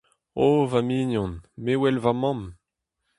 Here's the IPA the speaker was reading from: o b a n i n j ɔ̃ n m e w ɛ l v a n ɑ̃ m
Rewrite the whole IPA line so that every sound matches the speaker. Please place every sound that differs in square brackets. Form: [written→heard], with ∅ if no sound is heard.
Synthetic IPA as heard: o [b→v] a [n→m] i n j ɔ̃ n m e w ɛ l v a [n→m] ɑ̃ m

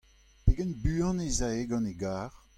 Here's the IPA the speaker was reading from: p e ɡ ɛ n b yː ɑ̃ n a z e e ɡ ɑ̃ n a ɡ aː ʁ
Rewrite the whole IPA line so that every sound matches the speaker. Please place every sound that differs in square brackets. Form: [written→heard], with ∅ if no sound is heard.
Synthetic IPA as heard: p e ɡ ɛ n b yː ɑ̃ n [a→e] z [e→a] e ɡ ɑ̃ n [a→e] ɡ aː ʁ

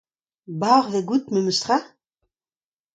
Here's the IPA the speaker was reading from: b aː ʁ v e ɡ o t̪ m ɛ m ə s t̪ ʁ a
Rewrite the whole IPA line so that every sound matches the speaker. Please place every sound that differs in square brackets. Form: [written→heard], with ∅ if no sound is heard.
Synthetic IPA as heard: b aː ʁ v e ɡ [o→u] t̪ m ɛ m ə s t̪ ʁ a

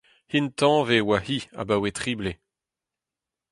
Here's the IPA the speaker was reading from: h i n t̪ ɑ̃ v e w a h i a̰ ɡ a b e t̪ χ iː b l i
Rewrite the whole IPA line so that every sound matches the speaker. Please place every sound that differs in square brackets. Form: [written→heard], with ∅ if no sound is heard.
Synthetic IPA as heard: h i n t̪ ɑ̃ v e w a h i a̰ [ɡ→b] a [b→w] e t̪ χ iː b l [i→e]

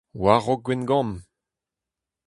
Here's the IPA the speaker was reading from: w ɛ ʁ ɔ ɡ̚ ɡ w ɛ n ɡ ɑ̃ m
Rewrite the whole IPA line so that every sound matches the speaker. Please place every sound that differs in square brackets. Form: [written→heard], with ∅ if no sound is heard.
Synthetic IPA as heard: w [ɛ→a] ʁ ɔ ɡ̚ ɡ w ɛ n ɡ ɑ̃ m

